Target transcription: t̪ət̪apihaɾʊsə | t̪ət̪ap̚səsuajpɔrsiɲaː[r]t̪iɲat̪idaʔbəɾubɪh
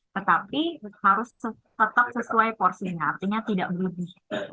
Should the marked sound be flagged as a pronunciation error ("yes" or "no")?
no